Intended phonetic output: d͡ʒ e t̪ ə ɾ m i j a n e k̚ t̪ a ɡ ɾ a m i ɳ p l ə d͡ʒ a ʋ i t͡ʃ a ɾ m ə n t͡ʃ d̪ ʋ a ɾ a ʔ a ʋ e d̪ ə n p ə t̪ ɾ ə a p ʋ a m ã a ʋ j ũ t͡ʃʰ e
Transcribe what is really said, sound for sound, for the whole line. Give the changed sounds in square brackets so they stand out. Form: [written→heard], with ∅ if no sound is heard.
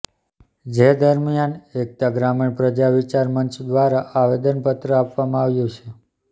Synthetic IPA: d͡ʒ e [t̪→d̪] ə ɾ m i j a n e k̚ t̪ a ɡ ɾ a m i ɳ p [l→ɾ] ə d͡ʒ a ʋ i t͡ʃ a ɾ m ə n t͡ʃ d̪ ʋ a ɾ a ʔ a ʋ e d̪ ə n p ə t̪ ɾ ə a p ʋ a m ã a ʋ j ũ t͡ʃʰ e